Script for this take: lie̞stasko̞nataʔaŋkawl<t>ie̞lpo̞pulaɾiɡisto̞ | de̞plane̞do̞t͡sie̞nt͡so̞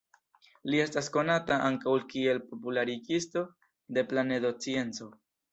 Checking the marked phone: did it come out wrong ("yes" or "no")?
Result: yes